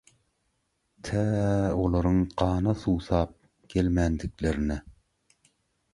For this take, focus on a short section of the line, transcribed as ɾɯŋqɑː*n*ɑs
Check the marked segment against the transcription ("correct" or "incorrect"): correct